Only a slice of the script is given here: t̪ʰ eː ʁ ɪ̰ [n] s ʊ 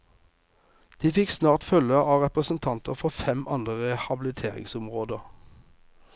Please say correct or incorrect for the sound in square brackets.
incorrect